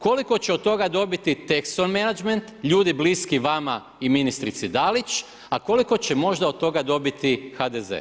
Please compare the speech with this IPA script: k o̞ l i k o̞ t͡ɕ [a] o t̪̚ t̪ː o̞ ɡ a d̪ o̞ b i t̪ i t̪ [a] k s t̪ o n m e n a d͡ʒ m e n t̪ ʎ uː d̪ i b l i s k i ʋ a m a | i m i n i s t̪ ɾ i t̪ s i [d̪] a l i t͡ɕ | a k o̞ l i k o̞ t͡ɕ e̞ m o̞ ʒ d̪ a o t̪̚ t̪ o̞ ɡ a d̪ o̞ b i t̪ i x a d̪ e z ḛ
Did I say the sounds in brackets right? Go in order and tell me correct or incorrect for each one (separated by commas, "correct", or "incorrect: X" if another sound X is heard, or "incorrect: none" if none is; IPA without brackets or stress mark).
incorrect: e, incorrect: e, correct